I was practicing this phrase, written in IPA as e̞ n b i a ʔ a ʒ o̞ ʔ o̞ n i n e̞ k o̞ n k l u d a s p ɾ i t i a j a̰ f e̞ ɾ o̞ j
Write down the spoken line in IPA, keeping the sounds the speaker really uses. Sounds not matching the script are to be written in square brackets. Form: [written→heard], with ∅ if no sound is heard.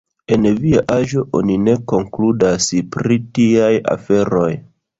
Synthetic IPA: e̞ n [b→v] i a ʔ a ʒ o̞ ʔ o̞ n i n e̞ k o̞ [n→ŋ] k l u d a s p ɾ i t i a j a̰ f e̞ ɾ o̞ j